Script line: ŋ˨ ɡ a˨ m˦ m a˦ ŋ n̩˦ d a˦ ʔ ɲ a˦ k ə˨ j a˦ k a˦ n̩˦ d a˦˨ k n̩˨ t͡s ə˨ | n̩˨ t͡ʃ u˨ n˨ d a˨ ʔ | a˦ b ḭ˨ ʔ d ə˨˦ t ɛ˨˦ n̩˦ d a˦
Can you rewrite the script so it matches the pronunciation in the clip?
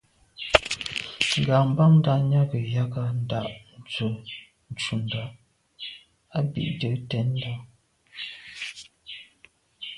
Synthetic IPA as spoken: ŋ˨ ɡ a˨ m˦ b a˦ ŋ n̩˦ d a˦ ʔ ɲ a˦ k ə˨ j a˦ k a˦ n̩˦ d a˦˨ ʔ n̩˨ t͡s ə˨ | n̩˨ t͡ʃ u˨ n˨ d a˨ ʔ | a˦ b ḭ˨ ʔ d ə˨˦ t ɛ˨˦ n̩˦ d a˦